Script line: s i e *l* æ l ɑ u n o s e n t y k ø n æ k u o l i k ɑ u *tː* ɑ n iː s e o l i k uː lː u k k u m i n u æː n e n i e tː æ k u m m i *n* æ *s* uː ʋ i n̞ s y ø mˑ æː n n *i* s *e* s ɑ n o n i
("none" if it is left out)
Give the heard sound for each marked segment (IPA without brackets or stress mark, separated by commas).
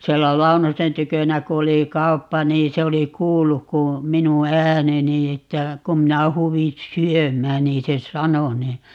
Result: lː, pː, n, h, iː, e